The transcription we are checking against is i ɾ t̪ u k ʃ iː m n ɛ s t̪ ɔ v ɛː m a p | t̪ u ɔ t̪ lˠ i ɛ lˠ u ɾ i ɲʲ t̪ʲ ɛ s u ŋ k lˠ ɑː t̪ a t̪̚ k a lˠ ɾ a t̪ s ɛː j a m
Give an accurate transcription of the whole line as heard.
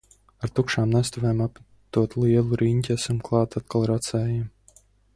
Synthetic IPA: a ɾ t̪ u k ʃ aː m n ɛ s t̪ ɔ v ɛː m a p | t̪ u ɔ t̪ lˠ i ɛ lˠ u ɾ i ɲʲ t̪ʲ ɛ s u m k lˠ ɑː t̪ a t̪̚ k a lˠ ɾ a t̪ s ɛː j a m